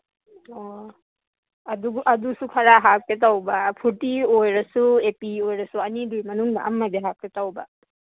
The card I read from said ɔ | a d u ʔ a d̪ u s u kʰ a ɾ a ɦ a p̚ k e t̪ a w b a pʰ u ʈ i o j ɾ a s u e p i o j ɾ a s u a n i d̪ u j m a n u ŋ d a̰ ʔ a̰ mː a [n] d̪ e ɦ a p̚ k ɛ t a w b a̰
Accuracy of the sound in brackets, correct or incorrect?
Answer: incorrect